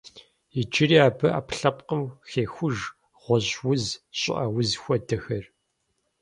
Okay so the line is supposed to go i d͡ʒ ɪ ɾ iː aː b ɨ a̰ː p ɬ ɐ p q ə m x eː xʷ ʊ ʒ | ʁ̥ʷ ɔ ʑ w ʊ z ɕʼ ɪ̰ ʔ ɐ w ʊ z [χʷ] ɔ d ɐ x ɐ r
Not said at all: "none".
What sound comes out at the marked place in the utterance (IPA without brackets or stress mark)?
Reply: xʷ